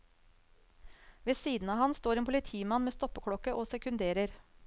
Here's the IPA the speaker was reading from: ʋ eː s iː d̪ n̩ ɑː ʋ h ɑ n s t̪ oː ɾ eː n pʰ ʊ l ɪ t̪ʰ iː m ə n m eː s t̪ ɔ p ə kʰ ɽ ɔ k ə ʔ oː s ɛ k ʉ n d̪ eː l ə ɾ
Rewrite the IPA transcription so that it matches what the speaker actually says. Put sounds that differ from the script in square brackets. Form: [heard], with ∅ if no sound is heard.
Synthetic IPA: ʋ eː s iː d̪ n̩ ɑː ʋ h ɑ n s t̪ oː ɾ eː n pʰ ʊ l ɪ t̪ʰ iː m [ɑ] n m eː s t̪ ɔ p ə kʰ ɽ ɔ k ə ʔ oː s ɛ k ʉ n d̪ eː [ɾ] ə ɾ

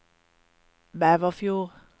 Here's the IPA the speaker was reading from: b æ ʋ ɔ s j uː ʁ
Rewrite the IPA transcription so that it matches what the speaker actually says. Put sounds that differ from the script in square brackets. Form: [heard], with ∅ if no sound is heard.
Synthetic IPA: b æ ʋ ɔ [f] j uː ʁ

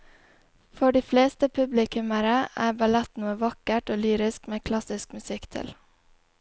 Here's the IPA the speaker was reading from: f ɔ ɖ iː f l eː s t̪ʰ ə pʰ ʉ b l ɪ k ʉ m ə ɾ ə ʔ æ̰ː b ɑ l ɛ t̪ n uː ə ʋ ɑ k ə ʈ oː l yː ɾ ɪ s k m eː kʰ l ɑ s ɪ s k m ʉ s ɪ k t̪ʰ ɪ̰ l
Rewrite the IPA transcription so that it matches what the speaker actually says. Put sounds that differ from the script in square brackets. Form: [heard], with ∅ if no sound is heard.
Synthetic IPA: f ɔ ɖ iː f l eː s [t̪] ə pʰ ʉ b l ɪ k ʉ m ə ɾ ə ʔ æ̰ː b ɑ l ɛ t̪ n uː ə ʋ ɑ k ə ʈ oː l yː ɾ ɪ s k m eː kʰ l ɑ s ɪ s k m ʉ s ɪ k t̪ʰ ɪ̰ l

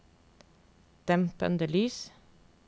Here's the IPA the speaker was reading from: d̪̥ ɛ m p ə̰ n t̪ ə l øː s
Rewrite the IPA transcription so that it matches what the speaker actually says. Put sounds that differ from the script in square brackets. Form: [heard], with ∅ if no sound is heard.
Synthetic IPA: d̪̥ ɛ m p ə̰ n [d̪] ə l [yː] s

